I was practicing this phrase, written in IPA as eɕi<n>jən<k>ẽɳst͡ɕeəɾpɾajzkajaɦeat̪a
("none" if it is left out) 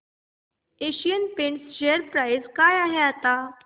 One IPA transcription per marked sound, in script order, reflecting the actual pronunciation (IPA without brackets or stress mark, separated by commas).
none, p